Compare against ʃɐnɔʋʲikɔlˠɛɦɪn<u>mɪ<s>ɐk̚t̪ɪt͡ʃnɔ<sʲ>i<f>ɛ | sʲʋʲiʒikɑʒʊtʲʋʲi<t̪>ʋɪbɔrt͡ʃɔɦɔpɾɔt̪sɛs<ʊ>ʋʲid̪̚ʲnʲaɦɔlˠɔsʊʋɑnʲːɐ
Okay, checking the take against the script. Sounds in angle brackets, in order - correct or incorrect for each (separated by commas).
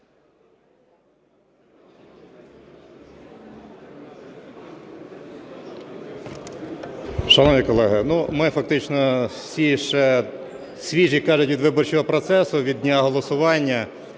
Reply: correct, incorrect, correct, incorrect, incorrect, correct